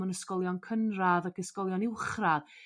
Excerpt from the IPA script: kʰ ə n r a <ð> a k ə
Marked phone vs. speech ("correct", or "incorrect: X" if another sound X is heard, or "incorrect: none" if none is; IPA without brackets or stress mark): correct